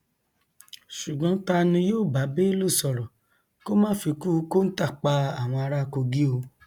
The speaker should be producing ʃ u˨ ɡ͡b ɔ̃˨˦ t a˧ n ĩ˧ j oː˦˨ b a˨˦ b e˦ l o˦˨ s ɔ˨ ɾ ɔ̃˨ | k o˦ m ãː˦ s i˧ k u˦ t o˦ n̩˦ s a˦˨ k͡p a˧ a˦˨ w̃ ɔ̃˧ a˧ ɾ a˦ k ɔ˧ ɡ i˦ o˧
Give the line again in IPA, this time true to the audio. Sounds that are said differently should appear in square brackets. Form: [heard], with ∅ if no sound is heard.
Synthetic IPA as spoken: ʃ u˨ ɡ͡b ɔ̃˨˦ t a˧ n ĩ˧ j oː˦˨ b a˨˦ b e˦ l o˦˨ s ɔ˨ ɾ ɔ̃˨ | k o˦ m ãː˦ [f] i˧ k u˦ [k] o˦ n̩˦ [t] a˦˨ k͡p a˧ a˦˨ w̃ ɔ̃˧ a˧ ɾ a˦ k [o˧] ɡ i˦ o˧